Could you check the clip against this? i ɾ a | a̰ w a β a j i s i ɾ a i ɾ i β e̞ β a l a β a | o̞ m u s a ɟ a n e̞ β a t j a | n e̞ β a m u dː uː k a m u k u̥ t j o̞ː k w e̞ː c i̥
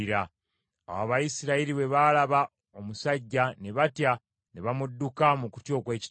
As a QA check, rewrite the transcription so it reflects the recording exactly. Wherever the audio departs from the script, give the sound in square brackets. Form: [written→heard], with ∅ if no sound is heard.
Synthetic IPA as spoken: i ɾ a | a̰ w a β a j i s i ɾ a i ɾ i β e̞ β a l a β a | o̞ m u s a [ɟ→ɟː] a n e̞ β a t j a | n e̞ β a m u dː [uː→u] k a m u k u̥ t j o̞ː k w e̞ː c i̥

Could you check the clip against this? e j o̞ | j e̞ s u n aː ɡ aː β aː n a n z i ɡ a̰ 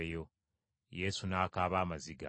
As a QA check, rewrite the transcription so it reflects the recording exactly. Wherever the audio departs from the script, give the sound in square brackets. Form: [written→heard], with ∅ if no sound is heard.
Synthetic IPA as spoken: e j o̞ | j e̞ s u n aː [ɡ→k] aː β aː [n→m] a [n→∅] z i ɡ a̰

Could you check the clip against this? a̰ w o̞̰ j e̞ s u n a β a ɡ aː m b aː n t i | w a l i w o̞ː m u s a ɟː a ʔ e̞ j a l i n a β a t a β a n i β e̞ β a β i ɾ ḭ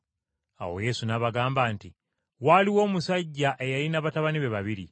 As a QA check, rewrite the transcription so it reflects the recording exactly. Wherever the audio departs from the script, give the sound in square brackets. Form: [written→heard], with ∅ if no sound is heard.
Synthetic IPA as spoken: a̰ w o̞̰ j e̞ s u n a β a ɡ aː m b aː n t i | w a l i w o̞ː m u s a ɟː a ʔ e̞ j a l i n a β a t a β a n i β e̞ β a β i ɾ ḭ

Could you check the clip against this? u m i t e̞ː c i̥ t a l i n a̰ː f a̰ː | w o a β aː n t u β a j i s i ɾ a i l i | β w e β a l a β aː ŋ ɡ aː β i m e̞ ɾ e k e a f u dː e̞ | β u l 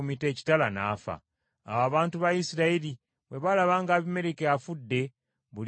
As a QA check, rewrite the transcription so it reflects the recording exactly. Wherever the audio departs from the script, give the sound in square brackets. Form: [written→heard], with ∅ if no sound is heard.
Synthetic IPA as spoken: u m i t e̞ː c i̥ t a l [i→a] n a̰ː f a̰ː | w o a β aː n t u β a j i s i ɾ a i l i | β w e β a l a β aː ŋ ɡ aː β i m e̞ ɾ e k e a f u dː e̞ | β u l

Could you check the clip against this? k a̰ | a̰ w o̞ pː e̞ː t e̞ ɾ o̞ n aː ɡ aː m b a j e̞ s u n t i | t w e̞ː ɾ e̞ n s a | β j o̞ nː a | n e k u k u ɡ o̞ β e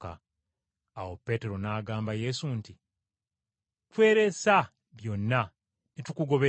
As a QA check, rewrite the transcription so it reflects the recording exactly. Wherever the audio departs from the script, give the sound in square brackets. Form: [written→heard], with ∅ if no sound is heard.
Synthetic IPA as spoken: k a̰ | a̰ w o̞ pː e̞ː t e̞ ɾ o̞ n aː ɡ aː m b a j e̞ s u n t i | t w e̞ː ɾ e̞ [n→∅] s a | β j o̞ nː a | n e [k→t] u k u ɡ o̞ β e

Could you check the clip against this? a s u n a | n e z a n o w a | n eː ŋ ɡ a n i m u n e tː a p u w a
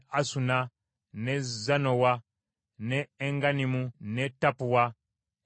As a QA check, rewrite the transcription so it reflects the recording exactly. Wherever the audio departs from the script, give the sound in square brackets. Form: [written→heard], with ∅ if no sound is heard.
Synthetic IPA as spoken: a s u n a | n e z a n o w a | n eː ŋ ɡ a n i m u n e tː a p u w a

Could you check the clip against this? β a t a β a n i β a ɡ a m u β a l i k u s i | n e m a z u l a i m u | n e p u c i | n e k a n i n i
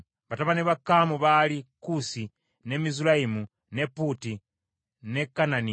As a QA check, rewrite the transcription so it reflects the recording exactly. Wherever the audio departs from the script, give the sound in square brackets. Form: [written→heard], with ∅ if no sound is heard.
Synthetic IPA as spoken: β a t a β a n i β a [ɡ→k] a m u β a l i k u s i | n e m [a→i] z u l a i m u | n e p u [c→t] i | n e k a n [i→a] n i

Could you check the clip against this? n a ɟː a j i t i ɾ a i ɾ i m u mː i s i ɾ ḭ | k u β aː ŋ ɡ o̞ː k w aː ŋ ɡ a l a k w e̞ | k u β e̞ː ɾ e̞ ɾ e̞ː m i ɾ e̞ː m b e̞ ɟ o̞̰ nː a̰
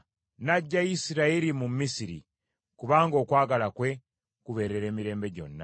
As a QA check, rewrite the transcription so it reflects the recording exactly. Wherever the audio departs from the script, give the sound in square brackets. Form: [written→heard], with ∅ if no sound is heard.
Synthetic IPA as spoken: n a ɟː a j i [t→s] i ɾ a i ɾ i m u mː i s i ɾ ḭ | k u β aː ŋ ɡ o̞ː k w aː [ŋ→∅] ɡ a l a k w e̞ | k u β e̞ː ɾ e̞ ɾ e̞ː m i ɾ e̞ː m b e̞ ɟ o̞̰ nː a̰

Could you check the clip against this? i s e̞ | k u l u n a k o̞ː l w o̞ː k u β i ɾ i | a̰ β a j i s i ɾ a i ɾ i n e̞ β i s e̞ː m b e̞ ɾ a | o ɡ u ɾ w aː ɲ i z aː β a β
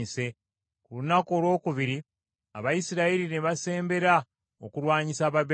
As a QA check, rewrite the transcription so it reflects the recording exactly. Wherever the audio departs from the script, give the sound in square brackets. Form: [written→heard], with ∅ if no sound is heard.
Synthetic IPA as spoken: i s e̞ | k u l u n a k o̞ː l w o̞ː k u β i ɾ i | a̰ β a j i s i ɾ a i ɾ i n e̞ β [i→a] s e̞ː m b e̞ ɾ a | o [ɡ→k] u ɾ w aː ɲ i [z→s] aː β a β

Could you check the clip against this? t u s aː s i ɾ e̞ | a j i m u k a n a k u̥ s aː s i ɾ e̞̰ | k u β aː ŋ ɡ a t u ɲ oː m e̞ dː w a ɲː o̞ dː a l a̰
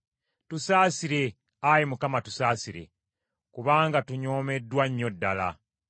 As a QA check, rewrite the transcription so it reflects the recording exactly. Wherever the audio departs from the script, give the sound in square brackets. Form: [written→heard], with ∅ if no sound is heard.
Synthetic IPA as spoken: t u s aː s i ɾ e̞ | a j i m u k a [n→m] a [k→t] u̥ s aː s i ɾ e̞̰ | k u β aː ŋ ɡ a t u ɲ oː m e̞ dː w a ɲː o̞ dː a l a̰

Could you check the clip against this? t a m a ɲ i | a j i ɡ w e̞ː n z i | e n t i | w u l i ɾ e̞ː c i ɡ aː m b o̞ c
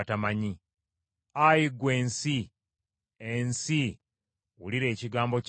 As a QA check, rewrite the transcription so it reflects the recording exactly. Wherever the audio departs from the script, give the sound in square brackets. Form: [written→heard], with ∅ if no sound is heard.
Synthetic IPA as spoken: t a m a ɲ i | a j i ɡ w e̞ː n [z→s] i | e n [t→s] i | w u l i ɾ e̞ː c i ɡ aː m b o̞ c

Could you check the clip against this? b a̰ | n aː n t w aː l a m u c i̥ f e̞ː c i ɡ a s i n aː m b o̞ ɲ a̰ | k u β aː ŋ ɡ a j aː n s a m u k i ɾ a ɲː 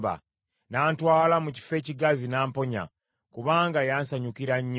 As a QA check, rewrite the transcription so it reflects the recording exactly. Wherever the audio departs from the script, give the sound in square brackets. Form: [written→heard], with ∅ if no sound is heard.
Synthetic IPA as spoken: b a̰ | n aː n t w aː l a m u c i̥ f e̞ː c i ɡ a [s→z] i n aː m [b→p] o̞ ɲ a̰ | k u β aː ŋ ɡ a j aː n s a [m→ɲ] u k i ɾ a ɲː

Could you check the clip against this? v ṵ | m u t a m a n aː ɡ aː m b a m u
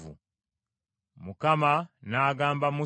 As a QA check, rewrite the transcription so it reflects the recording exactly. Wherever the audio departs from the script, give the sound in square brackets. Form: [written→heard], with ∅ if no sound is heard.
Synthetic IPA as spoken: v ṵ | m u [t→k] a m a n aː ɡ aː m b a m u

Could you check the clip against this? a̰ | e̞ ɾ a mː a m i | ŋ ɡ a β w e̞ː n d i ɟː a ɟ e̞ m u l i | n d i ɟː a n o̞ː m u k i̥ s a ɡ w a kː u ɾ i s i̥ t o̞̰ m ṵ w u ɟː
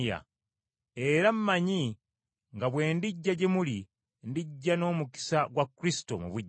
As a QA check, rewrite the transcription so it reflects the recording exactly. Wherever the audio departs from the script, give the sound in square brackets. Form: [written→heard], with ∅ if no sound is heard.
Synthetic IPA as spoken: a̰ | e̞ ɾ a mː a [m→ɲ] i | ŋ ɡ a β w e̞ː n d i ɟː a ɟ e̞ m u l i | n d i ɟː a n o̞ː m u k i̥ s a ɡ w a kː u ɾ i s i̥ t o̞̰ m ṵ [w→β] u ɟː

